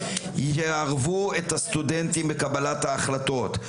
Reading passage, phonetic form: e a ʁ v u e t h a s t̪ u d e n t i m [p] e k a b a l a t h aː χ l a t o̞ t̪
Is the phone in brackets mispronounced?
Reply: yes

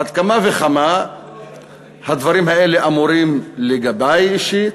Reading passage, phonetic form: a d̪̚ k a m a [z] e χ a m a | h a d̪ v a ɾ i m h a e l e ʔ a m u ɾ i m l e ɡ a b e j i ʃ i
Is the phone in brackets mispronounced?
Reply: yes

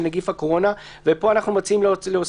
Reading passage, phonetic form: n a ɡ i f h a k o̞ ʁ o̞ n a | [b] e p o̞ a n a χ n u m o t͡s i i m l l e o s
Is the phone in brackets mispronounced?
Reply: yes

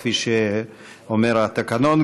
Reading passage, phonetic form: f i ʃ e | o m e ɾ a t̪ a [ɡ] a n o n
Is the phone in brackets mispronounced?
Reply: yes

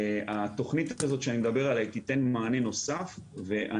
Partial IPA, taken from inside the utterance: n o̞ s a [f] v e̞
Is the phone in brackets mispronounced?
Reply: no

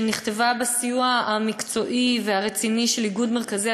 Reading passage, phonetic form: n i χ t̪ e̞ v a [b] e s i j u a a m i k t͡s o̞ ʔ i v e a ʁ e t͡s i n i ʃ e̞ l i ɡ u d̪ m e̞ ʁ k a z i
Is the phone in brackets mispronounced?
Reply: no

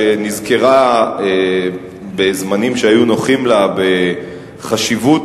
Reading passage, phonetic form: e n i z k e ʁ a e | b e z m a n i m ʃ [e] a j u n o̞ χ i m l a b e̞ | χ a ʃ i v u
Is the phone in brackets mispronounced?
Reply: no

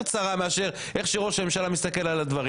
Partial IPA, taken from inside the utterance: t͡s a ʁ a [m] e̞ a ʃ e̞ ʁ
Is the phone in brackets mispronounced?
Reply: no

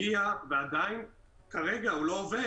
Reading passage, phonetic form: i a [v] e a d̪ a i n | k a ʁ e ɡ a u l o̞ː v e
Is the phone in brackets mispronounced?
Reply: no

